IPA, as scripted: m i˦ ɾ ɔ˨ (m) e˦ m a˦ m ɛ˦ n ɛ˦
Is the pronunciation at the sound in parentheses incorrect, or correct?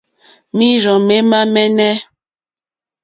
correct